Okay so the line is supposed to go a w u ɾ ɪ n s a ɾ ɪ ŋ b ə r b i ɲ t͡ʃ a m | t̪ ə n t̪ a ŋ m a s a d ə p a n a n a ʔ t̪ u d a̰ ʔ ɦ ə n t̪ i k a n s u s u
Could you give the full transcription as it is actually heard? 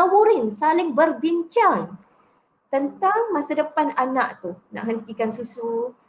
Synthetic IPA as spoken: a w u ɾ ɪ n s a l ɪ ŋ b ə r b i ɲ t͡ʃ a ŋ | t̪ ə n t̪ a ŋ m a s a d ə p a n a n a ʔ t̪ u n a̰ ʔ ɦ ə n t̪ i k a n s u s u